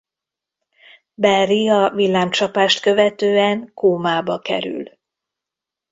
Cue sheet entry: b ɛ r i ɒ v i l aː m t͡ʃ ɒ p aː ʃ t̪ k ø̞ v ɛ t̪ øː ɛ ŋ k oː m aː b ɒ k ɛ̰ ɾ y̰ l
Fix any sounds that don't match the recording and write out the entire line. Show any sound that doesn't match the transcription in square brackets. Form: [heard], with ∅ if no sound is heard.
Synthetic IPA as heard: b ɛ r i ɒ v i [lː] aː m t͡ʃ ɒ p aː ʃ t̪ k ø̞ v ɛ t̪ øː ɛ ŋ k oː m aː b ɒ k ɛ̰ ɾ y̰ l

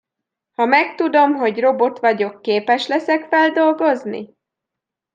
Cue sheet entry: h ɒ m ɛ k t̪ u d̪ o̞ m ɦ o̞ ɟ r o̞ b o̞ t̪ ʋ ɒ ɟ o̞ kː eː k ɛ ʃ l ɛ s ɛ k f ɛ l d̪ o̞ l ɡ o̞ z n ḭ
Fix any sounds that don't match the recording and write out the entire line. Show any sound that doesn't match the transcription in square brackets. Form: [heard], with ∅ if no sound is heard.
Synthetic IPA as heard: h ɒ m ɛ k t̪ u d̪ o̞ m ɦ o̞ ɟ r o̞ b o̞ t̪ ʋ ɒ ɟ o̞ kː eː [p] ɛ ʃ l ɛ s ɛ k f ɛ l d̪ o̞ l ɡ o̞ z n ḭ

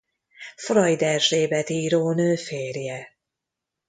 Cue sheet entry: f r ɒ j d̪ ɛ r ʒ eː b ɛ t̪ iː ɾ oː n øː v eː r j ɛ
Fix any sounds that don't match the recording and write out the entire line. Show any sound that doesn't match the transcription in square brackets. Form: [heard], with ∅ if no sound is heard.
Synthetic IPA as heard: f r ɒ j d̪ ɛ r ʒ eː b ɛ t̪ iː ɾ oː n øː [f] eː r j ɛ

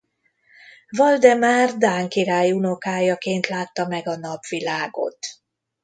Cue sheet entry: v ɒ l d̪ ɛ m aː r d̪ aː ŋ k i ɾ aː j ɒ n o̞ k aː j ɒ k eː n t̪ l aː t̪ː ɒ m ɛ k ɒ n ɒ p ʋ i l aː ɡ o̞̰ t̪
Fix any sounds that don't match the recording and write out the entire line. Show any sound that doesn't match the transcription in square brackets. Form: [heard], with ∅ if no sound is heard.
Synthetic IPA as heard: v ɒ l d̪ ɛ m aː r d̪ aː ŋ k i ɾ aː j [u] n o̞ k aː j ɒ k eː n t̪ l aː t̪ː ɒ m ɛ [ɡ] ɒ n ɒ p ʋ i l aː ɡ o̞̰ t̪

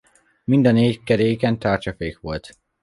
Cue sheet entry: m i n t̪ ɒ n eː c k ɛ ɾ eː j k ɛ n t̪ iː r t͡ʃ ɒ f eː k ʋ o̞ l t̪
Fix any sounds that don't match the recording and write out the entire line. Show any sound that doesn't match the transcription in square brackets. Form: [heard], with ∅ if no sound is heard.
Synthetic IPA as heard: m i n [d̪] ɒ n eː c k ɛ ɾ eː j k ɛ n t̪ [aː] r t͡ʃ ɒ f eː k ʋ o̞ l t̪

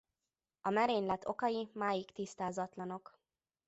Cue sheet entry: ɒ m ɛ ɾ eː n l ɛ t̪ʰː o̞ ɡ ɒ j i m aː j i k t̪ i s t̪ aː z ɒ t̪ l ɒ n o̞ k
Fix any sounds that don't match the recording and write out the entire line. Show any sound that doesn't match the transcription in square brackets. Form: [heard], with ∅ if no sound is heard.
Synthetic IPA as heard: ɒ m ɛ ɾ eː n l ɛ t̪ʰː o̞ [k] ɒ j i m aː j i k t̪ i s t̪ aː z ɒ t̪ l ɒ n o̞ k

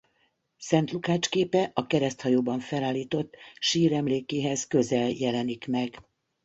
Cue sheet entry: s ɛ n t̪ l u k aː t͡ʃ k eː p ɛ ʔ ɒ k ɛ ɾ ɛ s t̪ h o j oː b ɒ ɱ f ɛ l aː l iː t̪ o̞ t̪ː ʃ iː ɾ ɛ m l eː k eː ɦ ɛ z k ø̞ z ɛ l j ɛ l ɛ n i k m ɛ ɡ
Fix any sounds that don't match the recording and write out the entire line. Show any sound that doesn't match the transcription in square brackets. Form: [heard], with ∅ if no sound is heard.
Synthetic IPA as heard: s ɛ n t̪ l u k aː t͡ʃ k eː p ɛ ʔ ɒ k ɛ ɾ ɛ s t̪ h [ɒ] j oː b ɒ ɱ f ɛ l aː l iː t̪ o̞ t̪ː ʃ iː ɾ ɛ m l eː k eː ɦ ɛ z k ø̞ z ɛ l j ɛ l ɛ n i k m ɛ ɡ

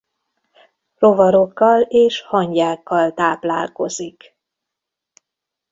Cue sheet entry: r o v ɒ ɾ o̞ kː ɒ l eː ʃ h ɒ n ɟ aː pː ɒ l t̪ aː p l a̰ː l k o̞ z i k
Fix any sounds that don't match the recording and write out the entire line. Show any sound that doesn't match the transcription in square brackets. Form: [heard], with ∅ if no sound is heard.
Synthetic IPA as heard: r o v ɒ ɾ o̞ kː ɒ l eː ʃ h ɒ [ɲ] ɟ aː [kː] ɒ l t̪ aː p l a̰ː l k o̞ z i k

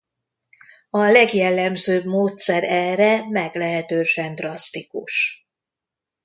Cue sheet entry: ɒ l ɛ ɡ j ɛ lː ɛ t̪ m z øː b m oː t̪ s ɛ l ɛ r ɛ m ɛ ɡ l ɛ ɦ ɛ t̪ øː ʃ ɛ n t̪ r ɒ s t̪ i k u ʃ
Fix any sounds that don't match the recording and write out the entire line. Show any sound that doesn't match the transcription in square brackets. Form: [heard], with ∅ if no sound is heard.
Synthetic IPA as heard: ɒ l ɛ ɡ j ɛ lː ɛ [∅] m z øː b m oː t̪ s ɛ [ɾ] ɛ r ɛ m ɛ ɡ l ɛ ɦ ɛ t̪ øː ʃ ɛ n [d̪] r ɒ s t̪ i k u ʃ

